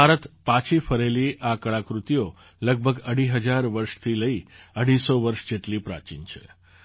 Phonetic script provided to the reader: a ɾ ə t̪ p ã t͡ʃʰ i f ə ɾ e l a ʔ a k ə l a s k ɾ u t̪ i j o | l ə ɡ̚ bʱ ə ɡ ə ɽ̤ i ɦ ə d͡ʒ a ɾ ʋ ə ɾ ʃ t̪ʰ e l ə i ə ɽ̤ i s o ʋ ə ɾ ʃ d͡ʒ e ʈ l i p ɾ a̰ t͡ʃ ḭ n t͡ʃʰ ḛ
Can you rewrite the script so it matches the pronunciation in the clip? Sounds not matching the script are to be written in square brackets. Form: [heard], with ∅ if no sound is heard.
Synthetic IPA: a ɾ ə t̪ p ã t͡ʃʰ i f ə ɾ e l [i] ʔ a k ə [ɭ] a [∅] k ɾ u t̪ i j o | l ə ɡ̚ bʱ ə ɡ ə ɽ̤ i ɦ ə d͡ʒ a ɾ ʋ ə ɾ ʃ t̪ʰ [i] l ə i ə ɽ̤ i s o ʋ ə ɾ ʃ d͡ʒ e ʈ l i p ɾ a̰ t͡ʃ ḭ n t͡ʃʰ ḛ